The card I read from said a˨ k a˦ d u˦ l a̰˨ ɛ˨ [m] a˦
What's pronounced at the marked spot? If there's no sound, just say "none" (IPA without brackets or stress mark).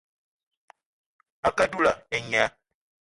ɲ